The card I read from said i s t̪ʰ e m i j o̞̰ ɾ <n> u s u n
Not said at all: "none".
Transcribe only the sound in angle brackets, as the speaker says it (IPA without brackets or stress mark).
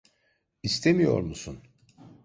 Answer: m